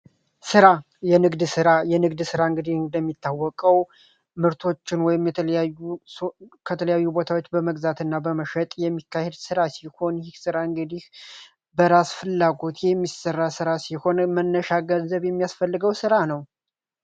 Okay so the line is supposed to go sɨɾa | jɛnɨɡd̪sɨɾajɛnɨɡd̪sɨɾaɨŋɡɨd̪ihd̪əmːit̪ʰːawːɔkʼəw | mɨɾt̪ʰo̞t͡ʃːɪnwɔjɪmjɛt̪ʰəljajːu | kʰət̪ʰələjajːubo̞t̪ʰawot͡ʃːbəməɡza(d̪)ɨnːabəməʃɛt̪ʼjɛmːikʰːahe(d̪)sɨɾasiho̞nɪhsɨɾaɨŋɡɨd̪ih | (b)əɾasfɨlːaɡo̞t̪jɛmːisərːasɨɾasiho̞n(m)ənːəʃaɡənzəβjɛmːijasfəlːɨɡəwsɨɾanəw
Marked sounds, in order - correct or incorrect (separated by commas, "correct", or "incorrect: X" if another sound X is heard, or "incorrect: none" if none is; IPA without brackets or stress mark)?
incorrect: t̪, correct, correct, correct